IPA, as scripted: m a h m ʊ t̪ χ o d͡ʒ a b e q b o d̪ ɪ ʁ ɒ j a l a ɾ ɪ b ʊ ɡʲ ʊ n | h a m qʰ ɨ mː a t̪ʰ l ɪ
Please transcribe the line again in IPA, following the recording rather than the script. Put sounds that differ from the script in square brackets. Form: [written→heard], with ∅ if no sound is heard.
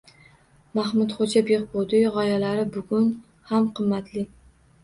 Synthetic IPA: m a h m ʊ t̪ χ o d͡ʒ a b e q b o d̪ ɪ ʁ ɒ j a l a ɾ ɪ b ʊ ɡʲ ʊ n | h a m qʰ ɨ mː a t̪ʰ l ɪ